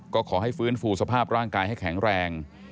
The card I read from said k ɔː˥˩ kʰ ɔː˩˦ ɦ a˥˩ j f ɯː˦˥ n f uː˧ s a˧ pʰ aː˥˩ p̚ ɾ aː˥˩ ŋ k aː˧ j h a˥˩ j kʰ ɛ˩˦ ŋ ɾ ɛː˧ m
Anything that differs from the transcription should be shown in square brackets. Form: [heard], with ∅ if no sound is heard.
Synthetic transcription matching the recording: k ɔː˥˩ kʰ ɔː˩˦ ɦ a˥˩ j f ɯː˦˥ n f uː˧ s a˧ pʰ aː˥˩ p̚ ɾ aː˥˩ ŋ k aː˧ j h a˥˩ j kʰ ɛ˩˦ ŋ ɾ ɛː˧ [ŋ]